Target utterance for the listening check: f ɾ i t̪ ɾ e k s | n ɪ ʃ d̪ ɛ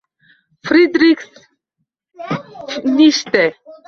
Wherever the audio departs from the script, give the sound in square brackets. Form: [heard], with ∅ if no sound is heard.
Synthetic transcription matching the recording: f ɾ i [d̪] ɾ [i] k s | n [i] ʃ [t̪] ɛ